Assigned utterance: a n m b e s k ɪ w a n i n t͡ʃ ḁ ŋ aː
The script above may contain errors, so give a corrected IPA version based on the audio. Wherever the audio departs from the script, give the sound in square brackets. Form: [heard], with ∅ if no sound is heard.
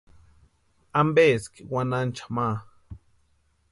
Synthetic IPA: a [∅] m b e s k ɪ w a n [a] n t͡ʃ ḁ [m] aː